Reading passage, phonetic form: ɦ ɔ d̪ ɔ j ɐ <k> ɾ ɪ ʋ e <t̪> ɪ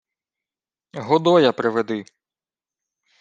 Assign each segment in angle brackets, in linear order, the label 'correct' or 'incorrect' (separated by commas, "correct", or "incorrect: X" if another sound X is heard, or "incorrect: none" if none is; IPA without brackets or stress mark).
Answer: incorrect: p, incorrect: d̪